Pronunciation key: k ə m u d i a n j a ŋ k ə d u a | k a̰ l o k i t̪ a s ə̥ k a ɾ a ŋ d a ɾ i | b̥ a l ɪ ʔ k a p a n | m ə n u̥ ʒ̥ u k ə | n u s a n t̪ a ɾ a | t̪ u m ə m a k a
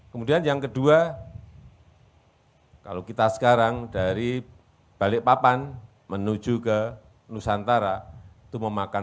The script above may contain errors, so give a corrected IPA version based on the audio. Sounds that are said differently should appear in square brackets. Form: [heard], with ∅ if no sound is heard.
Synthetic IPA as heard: k ə m u d i a n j a ŋ k ə d u a | k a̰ l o k i t̪ a s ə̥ k a ɾ a ŋ d a ɾ i | b̥ a l ɪ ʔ [p] a p a n | m ə n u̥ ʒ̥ u k ə | n u s a n t̪ a ɾ a | t̪ u m ə m a k a